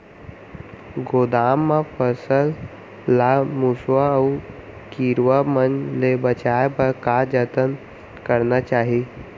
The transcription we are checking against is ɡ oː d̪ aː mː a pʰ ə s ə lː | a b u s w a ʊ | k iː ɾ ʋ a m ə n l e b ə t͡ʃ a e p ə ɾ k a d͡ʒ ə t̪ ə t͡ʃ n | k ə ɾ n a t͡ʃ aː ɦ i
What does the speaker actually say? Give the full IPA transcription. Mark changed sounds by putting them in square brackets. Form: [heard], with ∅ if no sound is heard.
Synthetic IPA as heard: ɡ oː d̪ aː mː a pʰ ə s ə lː | a [m] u s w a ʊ | k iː ɾ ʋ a m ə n l e b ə t͡ʃ a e p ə ɾ k a d͡ʒ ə t̪ ə [∅] n | k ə ɾ n a t͡ʃ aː ɦ i